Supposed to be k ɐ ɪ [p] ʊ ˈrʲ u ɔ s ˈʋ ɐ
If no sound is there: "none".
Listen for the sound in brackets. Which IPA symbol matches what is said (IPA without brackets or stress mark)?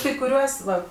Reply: k